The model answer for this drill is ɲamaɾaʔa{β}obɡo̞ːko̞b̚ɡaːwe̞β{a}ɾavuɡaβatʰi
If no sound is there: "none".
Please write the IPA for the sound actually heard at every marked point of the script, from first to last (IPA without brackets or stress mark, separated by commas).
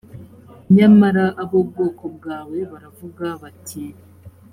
β, a